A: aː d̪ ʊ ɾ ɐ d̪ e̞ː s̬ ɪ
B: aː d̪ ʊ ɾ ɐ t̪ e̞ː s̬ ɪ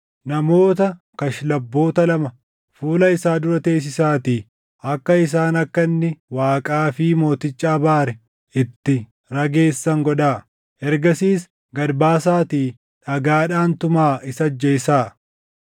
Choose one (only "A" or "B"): B